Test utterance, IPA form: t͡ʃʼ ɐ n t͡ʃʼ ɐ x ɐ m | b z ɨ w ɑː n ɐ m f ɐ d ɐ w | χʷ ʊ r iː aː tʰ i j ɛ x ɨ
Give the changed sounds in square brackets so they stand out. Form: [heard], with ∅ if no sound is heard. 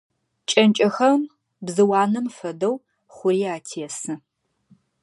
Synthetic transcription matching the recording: t͡ʃʼ ɐ n t͡ʃʼ ɐ x ɐ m | b z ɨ w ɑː n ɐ m f ɐ d ɐ w | χʷ ʊ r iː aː tʰ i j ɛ [s] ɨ